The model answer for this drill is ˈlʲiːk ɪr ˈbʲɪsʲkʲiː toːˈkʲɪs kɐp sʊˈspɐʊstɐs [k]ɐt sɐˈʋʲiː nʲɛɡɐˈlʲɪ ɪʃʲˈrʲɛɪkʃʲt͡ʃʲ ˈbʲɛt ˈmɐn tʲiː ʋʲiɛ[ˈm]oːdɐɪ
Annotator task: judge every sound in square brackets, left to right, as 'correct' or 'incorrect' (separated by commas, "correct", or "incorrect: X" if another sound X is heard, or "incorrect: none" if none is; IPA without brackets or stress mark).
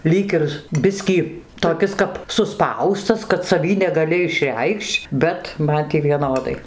correct, incorrect: n